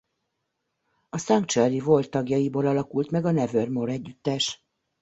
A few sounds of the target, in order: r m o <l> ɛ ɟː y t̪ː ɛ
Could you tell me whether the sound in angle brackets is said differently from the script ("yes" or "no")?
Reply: yes